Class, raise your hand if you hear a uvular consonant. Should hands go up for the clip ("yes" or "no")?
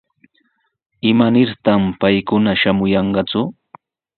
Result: yes